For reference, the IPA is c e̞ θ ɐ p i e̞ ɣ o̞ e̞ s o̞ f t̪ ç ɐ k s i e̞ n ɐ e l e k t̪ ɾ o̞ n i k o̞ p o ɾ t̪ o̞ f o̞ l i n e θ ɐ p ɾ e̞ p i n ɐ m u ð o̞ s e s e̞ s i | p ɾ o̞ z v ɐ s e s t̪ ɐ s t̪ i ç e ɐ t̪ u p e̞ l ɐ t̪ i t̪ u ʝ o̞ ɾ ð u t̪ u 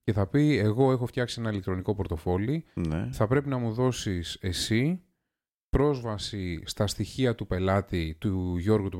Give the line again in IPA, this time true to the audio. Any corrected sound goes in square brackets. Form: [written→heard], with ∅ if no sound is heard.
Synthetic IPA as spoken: c e̞ θ ɐ p i e̞ ɣ o̞ e̞ [s→x] o̞ f t̪ ç ɐ k s i e̞ n ɐ [e→i] l e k t̪ ɾ o̞ n i k o̞ p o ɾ t̪ o̞ f o̞ l i n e θ ɐ p ɾ e̞ p i n ɐ m u ð o̞ s [e→i] s e̞ s i | p ɾ o̞ z v ɐ s [e→i] s t̪ ɐ s t̪ i ç [e→i] ɐ t̪ u p e̞ l ɐ t̪ i t̪ u ʝ o̞ ɾ [ð→ɣ] u t̪ u